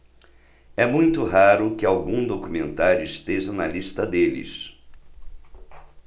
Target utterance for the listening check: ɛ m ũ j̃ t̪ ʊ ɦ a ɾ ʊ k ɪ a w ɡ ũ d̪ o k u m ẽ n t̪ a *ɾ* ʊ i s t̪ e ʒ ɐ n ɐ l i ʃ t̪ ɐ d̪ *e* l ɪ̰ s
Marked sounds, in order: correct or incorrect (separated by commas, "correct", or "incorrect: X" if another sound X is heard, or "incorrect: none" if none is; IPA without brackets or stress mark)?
correct, correct